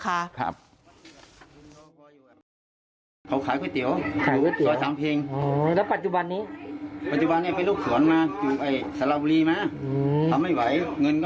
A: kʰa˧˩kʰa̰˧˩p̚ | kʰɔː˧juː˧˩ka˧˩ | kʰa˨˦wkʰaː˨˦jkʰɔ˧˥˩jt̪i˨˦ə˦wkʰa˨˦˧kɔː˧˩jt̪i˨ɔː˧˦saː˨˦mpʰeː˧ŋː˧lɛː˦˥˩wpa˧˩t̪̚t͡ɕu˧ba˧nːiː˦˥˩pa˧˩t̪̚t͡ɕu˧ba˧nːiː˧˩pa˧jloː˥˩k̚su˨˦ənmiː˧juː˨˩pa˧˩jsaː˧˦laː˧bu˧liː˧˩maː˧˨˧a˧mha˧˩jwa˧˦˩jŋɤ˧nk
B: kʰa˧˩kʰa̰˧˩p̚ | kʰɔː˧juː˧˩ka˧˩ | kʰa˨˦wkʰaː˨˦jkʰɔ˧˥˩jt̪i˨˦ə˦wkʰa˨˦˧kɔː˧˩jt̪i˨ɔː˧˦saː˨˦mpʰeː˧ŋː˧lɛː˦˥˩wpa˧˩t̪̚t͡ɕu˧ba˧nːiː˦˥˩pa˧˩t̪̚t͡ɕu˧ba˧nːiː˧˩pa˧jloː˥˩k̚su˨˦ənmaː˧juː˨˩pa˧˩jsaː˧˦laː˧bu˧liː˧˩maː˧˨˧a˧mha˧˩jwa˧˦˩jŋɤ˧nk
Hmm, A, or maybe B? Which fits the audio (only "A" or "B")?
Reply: B